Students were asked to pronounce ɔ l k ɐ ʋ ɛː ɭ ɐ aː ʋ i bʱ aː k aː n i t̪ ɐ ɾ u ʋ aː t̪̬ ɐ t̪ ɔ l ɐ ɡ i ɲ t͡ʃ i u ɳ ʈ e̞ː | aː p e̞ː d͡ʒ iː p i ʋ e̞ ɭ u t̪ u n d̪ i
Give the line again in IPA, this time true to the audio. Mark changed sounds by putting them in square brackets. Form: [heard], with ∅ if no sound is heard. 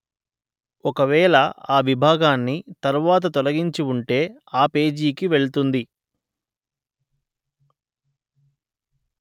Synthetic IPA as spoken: ɔ [∅] k ɐ ʋ ɛː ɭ ɐ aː ʋ i bʱ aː [ɡ] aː [nː] i t̪ ɐ ɾ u ʋ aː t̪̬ ɐ t̪ ɔ l ɐ ɡ i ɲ t͡ʃ i u ɳ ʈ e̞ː | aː p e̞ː d͡ʒ iː [k] i ʋ e̞ ɭ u t̪ u n d̪ i

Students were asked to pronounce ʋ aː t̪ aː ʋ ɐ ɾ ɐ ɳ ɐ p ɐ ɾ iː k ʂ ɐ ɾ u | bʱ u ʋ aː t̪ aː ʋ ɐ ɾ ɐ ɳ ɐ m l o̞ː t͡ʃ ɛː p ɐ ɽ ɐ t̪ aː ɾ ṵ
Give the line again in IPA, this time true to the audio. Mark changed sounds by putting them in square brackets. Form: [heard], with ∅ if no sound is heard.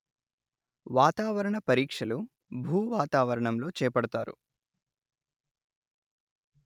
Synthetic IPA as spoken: ʋ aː t̪ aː ʋ ɐ ɾ ɐ ɳ ɐ p ɐ ɾ iː k ʂ ɐ [l] u | bʱ [uː] ʋ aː t̪ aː ʋ ɐ ɾ ɐ ɳ ɐ m l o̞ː t͡ʃ ɛː p ɐ ɽ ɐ t̪ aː ɾ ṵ

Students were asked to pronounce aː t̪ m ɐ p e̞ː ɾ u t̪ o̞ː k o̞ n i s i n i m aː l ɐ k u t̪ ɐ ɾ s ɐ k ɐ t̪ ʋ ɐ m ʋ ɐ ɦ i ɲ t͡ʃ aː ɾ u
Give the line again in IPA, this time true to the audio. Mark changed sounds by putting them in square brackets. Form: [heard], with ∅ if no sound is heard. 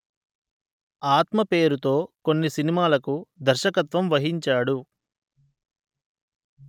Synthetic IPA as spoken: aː t̪ m ɐ p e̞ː ɾ u t̪ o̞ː k o̞ [nː] i s i n i m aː l ɐ k u [d̪] ɐ ɾ [ʃ] ɐ k ɐ t̪ ʋ ɐ m ʋ ɐ ɦ i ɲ t͡ʃ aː [ɽ] u

